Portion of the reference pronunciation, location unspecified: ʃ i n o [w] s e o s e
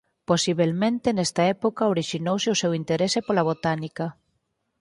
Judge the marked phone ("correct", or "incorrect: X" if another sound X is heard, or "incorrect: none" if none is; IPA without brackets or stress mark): correct